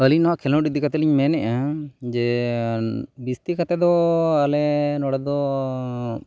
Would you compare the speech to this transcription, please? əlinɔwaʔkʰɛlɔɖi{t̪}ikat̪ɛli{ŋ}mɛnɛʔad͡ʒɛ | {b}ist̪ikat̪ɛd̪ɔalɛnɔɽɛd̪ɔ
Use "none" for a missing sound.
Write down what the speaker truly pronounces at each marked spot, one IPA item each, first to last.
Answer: d̪, ɲ, b

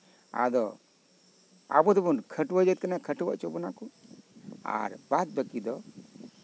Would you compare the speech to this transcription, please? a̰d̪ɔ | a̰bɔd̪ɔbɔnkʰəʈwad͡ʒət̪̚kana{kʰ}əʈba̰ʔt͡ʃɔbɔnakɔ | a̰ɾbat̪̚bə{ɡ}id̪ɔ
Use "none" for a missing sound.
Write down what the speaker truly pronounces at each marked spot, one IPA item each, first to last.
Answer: kʰ, k

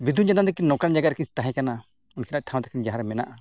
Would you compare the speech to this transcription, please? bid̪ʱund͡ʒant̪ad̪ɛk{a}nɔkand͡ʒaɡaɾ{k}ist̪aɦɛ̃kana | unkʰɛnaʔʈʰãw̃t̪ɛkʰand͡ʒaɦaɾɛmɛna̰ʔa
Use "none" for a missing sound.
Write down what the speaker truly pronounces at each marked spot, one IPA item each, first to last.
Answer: i, k

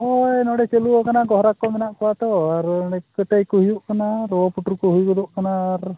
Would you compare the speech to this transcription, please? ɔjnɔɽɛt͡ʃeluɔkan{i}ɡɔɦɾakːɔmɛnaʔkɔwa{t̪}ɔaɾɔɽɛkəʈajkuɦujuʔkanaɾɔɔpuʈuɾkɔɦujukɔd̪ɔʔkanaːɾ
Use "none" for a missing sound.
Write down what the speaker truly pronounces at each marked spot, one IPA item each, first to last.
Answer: a, t̪

